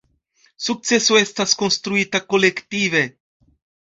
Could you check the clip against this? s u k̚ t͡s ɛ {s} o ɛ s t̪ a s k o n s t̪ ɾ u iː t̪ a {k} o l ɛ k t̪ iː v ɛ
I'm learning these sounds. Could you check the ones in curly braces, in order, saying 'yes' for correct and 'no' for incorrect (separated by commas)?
yes, yes